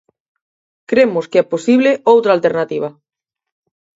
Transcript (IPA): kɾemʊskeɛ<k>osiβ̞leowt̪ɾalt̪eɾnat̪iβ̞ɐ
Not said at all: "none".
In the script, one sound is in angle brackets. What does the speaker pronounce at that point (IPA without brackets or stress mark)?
p